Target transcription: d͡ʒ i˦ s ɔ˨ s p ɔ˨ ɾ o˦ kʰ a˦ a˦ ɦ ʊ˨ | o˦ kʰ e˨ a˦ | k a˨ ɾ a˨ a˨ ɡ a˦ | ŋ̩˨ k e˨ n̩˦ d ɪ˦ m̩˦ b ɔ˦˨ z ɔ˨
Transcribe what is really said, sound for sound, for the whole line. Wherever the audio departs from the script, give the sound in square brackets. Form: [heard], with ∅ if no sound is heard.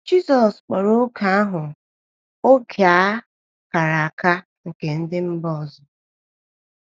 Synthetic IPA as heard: d͡ʒ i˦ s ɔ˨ s [k͡p] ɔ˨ ɾ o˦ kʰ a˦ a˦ ɦ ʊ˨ | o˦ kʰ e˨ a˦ | k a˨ ɾ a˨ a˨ [k] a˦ | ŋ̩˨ k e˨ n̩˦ d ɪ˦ m̩˦ b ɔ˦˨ z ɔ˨